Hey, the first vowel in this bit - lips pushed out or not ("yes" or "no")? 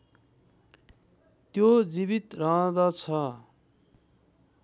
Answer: yes